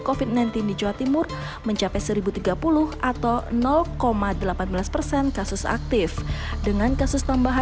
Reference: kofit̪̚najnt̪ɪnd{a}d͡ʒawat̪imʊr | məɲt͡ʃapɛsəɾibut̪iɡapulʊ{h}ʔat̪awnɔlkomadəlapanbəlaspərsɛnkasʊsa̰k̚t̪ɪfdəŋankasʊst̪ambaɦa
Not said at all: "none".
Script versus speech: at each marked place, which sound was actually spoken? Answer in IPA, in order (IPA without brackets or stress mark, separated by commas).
i, h